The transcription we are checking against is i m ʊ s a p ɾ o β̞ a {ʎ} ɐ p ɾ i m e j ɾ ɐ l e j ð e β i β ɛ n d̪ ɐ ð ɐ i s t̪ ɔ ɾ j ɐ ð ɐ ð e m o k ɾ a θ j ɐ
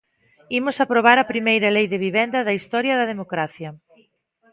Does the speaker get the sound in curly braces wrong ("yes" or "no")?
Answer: yes